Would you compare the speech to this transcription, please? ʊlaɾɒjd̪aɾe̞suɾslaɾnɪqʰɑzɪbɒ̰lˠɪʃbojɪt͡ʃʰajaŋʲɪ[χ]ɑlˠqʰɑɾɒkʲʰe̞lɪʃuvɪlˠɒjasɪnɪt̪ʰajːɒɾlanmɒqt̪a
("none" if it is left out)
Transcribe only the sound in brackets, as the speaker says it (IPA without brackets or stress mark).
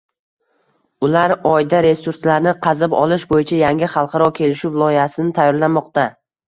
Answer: χ